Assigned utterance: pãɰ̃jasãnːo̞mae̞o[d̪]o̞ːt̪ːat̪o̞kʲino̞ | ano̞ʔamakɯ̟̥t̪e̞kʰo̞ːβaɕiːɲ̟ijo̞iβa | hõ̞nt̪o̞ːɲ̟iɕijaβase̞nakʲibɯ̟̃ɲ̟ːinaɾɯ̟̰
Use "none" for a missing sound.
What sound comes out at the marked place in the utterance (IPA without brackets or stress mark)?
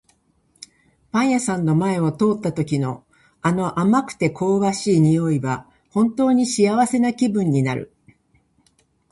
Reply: t̪